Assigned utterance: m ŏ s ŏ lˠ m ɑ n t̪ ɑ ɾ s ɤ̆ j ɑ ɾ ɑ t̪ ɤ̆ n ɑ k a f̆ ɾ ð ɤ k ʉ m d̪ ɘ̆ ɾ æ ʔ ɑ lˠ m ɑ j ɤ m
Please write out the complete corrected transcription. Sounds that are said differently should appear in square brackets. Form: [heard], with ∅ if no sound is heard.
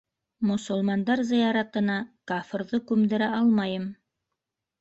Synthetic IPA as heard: m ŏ s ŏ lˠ m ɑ n [d̪] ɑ ɾ [z] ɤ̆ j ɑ ɾ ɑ t̪ ɤ̆ n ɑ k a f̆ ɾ ð ɤ k ʉ m d̪ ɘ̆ ɾ æ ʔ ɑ lˠ m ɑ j ɤ m